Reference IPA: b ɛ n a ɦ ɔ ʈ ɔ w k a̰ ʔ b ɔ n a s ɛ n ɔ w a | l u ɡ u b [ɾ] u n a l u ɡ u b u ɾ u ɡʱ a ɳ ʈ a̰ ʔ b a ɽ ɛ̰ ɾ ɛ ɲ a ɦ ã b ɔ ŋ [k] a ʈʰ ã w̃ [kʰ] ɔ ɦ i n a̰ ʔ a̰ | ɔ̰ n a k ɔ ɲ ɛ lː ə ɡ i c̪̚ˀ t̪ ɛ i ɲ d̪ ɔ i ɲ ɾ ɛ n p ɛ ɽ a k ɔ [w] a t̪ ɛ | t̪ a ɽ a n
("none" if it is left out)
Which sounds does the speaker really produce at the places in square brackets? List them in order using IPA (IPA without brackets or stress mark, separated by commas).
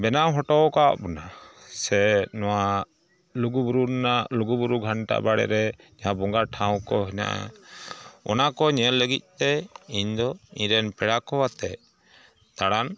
ɾ, ɡ, k, w